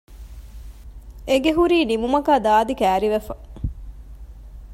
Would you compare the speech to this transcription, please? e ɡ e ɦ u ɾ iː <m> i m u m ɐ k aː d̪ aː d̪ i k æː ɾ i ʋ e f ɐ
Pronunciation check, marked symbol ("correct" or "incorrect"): incorrect